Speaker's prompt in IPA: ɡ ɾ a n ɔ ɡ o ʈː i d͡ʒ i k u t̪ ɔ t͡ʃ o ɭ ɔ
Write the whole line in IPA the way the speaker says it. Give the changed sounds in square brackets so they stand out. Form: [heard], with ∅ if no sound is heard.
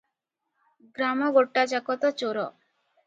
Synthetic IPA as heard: ɡ ɾ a [m] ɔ ɡ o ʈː [a] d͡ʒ [a] k [ɔ] t̪ ɔ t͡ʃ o [ɾ] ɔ